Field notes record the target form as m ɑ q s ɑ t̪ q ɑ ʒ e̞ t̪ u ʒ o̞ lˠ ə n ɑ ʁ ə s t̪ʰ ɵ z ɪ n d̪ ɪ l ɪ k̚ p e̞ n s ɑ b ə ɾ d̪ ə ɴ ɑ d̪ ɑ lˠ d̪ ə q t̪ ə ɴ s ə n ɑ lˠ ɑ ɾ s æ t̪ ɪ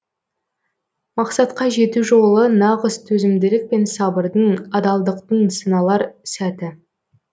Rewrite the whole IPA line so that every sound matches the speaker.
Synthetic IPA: m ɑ q s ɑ t̪ q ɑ ʒ e̞ t̪ u ʒ o̞ lˠ ə n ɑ ʁ ə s t̪ʰ ɵ z ɪ m d̪ ɪ l ɪ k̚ p e̞ n s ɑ b ə ɾ d̪ ə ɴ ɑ d̪ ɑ lˠ d̪ ə q t̪ ə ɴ s ə n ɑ lˠ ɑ ɾ s æ t̪ ɪ